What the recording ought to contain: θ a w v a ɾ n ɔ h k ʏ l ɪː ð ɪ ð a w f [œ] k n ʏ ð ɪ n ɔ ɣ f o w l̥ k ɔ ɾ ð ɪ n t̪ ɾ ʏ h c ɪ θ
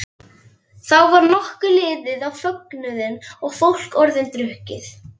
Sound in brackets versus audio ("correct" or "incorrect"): correct